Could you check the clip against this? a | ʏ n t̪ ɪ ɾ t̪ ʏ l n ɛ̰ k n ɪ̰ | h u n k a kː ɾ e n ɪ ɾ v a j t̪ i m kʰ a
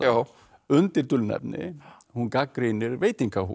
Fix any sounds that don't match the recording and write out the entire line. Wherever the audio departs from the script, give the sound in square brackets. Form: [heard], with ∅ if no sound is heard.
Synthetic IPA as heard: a | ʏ n t̪ ɪ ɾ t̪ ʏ l n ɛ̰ [p] n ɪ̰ | h u n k a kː ɾ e n ɪ ɾ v [e] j t̪ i [ŋ] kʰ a